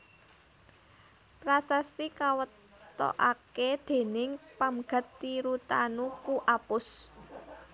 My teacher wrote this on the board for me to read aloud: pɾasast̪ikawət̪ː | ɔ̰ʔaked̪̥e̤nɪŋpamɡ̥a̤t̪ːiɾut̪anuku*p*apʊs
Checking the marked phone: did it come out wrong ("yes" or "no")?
yes